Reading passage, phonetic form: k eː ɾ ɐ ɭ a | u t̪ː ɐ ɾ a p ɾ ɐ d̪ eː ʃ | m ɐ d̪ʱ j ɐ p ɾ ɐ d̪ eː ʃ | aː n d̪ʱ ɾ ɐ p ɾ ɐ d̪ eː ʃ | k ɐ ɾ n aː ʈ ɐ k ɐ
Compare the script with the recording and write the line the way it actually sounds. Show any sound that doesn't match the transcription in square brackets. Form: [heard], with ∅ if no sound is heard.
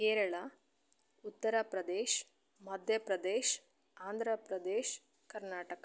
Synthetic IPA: k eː ɾ ɐ ɭ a | u t̪ː ɐ ɾ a p ɾ ɐ d̪ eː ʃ | m ɐ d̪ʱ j ɐ p ɾ ɐ d̪ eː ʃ | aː n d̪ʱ ɾ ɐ p ɾ ɐ d̪ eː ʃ | k ɐ ɾ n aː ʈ ɐ k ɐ